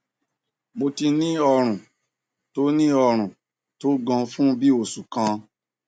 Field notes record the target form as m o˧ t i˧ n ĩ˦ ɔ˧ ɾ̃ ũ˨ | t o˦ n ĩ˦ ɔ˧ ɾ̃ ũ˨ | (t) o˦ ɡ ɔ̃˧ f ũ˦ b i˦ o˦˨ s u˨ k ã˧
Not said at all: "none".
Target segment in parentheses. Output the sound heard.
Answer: t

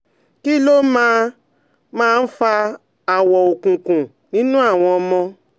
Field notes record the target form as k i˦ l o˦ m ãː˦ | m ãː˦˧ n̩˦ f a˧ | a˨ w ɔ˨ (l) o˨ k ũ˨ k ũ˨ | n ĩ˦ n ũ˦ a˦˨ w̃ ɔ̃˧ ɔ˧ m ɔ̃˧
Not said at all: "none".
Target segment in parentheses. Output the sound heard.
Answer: none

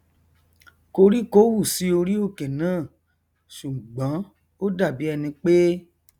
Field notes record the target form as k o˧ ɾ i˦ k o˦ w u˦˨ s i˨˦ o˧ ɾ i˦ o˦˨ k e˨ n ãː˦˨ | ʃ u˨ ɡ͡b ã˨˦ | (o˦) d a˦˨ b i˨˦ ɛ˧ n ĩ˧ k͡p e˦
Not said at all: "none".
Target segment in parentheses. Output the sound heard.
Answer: o˦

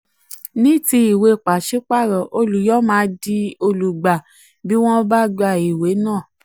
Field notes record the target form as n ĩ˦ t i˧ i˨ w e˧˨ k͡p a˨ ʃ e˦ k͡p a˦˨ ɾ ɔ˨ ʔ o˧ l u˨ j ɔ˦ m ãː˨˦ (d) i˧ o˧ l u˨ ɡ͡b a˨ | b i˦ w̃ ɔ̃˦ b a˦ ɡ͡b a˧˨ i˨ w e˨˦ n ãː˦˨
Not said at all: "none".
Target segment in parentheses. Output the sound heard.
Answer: d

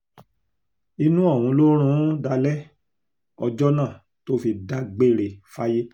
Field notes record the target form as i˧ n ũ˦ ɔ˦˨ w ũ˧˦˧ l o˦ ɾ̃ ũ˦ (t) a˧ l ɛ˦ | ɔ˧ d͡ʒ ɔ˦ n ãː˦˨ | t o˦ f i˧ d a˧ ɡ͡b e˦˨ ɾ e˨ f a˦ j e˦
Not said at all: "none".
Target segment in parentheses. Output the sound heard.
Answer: d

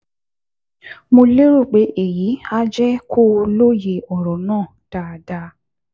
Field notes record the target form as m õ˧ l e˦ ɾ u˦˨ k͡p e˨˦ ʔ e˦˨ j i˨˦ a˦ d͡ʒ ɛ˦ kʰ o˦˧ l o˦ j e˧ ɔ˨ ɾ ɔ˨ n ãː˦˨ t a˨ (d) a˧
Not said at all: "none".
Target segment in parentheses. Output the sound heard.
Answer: d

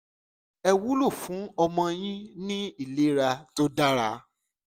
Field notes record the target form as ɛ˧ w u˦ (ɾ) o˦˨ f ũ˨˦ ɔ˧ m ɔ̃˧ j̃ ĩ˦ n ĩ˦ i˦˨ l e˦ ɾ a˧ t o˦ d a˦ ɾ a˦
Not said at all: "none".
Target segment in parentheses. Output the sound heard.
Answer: l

